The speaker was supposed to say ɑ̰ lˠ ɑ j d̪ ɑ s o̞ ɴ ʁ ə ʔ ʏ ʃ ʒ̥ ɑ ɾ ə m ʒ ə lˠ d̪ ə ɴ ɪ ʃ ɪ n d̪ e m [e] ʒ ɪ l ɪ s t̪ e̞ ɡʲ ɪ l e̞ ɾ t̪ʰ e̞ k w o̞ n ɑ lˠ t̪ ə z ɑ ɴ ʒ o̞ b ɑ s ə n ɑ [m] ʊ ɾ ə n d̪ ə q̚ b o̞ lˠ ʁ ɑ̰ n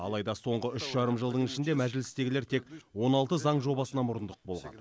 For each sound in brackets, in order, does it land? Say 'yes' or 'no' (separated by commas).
no, yes